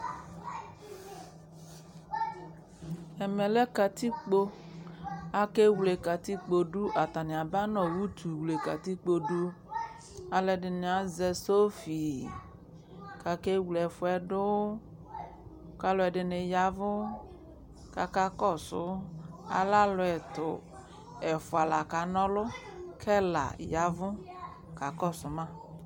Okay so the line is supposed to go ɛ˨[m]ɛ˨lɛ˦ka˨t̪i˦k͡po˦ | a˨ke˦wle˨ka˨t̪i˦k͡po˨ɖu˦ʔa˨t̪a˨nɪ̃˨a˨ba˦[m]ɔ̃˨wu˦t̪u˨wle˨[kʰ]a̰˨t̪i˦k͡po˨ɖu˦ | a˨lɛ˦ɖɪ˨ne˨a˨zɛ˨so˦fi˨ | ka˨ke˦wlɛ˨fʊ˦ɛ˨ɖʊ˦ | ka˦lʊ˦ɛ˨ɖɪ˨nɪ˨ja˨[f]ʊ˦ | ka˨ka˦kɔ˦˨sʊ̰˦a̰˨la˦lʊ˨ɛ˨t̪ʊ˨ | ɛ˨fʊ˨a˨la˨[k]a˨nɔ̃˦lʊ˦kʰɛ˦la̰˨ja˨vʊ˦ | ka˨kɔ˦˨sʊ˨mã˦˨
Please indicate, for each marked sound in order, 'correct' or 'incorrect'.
correct, incorrect, incorrect, incorrect, correct

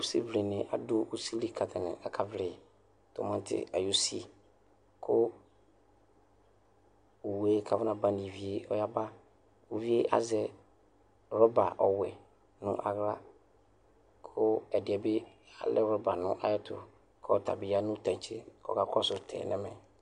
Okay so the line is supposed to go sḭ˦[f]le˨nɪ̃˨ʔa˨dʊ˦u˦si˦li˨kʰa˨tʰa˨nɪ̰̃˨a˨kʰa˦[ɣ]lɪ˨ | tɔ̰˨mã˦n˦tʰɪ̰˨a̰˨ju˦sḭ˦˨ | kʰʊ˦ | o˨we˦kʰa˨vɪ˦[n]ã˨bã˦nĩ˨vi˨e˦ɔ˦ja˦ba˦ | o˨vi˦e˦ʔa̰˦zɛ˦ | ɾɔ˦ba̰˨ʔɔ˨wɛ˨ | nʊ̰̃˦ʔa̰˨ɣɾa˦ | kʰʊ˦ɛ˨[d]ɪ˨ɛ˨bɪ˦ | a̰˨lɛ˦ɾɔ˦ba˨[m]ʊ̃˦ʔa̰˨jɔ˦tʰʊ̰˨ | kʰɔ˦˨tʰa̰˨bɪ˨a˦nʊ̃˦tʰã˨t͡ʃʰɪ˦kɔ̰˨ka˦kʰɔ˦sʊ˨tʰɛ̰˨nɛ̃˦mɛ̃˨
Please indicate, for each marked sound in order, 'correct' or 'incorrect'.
incorrect, incorrect, correct, correct, incorrect

